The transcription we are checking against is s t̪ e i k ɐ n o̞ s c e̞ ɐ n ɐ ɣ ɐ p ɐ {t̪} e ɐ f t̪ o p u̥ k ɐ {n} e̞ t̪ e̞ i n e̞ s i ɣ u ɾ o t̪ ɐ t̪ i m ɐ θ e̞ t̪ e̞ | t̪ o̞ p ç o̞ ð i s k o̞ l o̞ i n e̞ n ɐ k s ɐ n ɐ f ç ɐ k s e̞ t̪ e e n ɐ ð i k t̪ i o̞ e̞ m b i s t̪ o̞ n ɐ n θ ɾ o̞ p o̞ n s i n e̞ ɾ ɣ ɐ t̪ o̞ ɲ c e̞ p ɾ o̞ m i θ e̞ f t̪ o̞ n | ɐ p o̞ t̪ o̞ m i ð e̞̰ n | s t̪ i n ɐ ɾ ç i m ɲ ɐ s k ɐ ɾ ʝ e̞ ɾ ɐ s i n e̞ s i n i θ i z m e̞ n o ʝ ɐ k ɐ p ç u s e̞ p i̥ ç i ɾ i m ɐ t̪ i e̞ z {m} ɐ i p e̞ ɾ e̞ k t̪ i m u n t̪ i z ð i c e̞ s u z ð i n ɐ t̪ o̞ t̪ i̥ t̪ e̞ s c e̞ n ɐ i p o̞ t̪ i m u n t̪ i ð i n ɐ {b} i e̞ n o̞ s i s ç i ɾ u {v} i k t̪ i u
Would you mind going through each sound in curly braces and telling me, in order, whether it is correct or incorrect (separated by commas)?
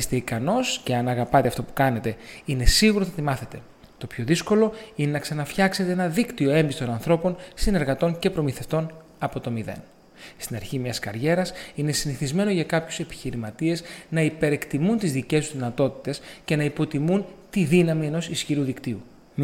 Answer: correct, correct, incorrect, incorrect, incorrect